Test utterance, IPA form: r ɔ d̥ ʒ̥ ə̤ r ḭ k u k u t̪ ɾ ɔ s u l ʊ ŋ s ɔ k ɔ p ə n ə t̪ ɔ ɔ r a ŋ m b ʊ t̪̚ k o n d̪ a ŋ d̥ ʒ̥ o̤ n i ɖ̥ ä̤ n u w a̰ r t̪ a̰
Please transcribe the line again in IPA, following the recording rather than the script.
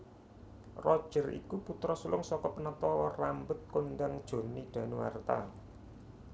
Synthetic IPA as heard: r ɔ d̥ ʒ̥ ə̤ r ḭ k u p u t̪ ɾ ɔ s u l ʊ ŋ s ɔ k ɔ p ə n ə t̪ ɔ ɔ r a m b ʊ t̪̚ k o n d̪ a ŋ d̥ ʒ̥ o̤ n i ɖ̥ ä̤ n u w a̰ r t̪ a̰

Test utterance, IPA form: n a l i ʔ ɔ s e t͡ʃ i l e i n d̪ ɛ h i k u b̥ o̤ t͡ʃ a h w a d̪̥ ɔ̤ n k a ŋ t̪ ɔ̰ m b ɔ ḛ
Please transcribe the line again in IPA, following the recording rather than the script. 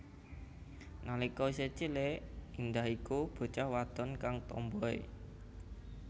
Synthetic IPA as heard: n a l i k ɔ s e t͡ʃ i l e i n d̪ a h i k u b̥ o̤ t͡ʃ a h w a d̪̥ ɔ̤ n k a ŋ t̪ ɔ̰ m b ɔ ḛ

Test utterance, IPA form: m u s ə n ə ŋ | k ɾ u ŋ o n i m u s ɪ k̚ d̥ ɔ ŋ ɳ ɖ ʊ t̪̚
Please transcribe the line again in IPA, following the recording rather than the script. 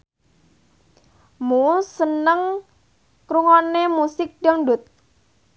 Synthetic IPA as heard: m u s ə n ə ŋ | k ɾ u ŋ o n e m u s ɪ k̚ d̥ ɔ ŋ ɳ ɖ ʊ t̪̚

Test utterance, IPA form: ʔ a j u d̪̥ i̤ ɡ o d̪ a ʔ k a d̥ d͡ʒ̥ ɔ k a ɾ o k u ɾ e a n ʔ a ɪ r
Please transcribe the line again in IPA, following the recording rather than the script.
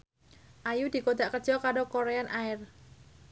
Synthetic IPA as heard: ʔ a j u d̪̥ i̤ k o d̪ a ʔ k ə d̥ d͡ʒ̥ ɔ k a ɾ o k o ɾ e a n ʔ a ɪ r

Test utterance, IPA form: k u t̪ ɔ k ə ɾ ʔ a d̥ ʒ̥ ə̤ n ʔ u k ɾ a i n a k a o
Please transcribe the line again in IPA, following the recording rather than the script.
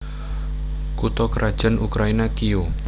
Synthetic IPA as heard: k u t̪ ɔ k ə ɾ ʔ a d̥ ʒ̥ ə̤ n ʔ u k ɾ a i n a k i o

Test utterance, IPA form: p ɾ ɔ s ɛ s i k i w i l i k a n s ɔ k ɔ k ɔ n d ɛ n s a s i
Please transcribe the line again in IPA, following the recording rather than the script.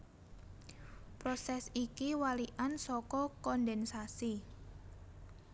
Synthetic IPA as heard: p ɾ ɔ s ɛ s i k i w a l i ʔ a n s ɔ k ɔ k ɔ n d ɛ n s a s i

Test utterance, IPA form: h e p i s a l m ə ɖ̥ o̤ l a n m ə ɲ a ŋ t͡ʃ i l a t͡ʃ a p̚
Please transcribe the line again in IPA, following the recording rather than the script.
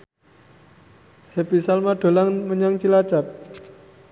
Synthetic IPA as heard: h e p i s a l m a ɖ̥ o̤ l a ŋ m ə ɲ a ŋ t͡ʃ i l a t͡ʃ a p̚

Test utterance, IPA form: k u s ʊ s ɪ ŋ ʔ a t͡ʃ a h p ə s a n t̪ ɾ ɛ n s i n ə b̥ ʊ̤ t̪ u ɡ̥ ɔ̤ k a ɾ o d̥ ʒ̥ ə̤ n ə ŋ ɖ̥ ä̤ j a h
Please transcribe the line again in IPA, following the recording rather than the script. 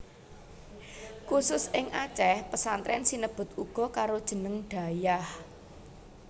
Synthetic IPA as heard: k u s ʊ s ɪ ŋ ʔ a t͡ʃ ɛ h p ə s a n t̪ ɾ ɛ n s i n ə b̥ ʊ̤ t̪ u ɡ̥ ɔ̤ k a ɾ o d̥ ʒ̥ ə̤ n ə ŋ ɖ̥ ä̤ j a h

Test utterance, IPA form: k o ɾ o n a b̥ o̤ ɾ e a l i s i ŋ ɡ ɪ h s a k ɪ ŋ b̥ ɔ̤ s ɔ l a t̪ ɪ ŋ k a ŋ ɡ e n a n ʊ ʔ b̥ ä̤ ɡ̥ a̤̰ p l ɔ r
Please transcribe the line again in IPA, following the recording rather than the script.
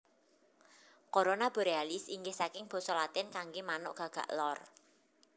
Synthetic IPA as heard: k o ɾ o n a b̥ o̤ ɾ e a l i s i ŋ ɡ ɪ h s a k ɪ ŋ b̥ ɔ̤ s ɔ l a t̪ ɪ n k a ŋ ɡ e m a n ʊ ʔ ɡ̥ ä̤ ɡ̥ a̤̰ ʔ l ɔ r

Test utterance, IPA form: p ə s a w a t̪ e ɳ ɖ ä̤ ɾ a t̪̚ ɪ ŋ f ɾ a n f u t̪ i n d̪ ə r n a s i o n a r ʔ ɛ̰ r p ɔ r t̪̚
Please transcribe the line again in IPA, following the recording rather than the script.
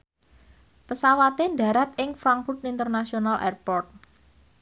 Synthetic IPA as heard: p ə s a w a t̪ e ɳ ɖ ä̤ ɾ a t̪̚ ɪ ŋ f ɾ a ŋ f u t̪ i n t̪ ə r n a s i o n a l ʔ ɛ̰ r p ɔ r t̪̚

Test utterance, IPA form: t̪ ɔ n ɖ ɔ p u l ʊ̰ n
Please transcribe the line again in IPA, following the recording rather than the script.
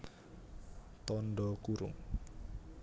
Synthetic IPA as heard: t̪ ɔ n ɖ ɔ k u ɾ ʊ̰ ŋ

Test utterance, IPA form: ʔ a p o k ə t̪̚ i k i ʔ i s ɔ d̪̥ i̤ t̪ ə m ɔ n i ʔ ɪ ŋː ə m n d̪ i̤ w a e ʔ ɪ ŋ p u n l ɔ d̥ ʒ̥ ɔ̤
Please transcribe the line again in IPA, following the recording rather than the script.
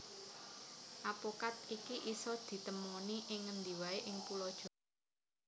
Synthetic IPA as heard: ʔ a p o k a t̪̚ i k i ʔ i s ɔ d̪̥ i̤ t̪ ə m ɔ n i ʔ ɪ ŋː ə n d̪ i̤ w a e ʔ ɪ ŋ p u l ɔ d̥ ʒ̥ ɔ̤

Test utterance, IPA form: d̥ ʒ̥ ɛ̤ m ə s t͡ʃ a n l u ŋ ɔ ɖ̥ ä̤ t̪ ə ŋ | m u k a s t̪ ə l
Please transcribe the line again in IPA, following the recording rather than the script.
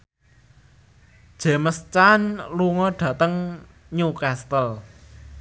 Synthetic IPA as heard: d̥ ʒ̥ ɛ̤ m ə s t͡ʃ a n l u ŋ ɔ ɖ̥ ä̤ t̪ ə ŋ | ɲ u k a s t̪ ə l

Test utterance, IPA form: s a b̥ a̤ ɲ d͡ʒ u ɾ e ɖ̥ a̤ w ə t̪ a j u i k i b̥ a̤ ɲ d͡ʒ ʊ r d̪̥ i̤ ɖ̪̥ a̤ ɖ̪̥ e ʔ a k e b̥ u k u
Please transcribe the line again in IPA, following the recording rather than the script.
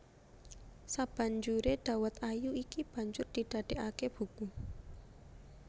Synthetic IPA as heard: s a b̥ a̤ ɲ d͡ʒ u ɾ e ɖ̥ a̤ w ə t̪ a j u i k i b̥ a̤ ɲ d͡ʒ ʊ r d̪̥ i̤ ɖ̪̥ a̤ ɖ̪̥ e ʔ a k e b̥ u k u

